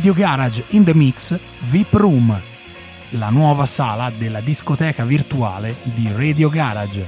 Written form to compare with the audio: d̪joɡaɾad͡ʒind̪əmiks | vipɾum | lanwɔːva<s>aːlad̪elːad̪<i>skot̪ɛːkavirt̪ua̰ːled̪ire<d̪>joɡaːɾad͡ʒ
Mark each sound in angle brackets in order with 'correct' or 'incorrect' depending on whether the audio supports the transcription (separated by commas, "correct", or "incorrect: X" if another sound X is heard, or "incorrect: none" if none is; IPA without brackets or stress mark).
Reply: correct, correct, correct